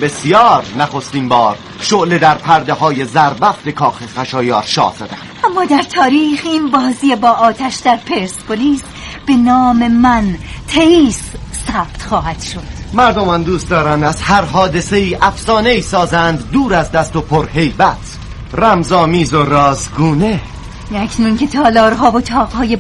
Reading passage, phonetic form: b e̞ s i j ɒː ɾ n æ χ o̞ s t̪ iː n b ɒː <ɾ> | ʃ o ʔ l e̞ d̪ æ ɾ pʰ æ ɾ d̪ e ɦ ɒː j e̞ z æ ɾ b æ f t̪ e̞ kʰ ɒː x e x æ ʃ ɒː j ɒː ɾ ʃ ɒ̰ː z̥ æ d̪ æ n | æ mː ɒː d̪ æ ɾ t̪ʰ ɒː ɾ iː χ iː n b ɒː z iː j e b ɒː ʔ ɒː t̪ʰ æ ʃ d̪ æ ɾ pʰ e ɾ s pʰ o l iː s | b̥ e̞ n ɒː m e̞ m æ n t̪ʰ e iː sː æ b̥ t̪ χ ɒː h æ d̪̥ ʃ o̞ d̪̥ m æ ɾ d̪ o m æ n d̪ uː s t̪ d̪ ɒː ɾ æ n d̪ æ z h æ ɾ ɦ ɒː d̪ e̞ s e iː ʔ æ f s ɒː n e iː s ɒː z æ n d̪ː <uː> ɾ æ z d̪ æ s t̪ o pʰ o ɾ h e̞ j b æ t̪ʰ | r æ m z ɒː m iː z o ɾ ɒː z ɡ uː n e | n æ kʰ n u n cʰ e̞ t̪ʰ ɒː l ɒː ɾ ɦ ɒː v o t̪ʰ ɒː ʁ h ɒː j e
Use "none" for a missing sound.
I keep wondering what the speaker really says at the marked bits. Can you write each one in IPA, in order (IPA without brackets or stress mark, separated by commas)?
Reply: ɾ, uː